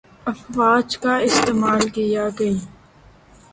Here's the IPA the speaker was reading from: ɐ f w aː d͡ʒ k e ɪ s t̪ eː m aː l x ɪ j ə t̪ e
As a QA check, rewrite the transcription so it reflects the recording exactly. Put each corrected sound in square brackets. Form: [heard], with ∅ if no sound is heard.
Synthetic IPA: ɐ f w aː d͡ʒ k [a] ɪ s t̪ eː m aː l [k] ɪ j [a] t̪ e